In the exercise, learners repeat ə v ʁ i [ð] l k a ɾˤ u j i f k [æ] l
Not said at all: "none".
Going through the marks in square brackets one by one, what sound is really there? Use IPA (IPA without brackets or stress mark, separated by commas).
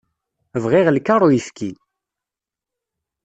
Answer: ʁ, i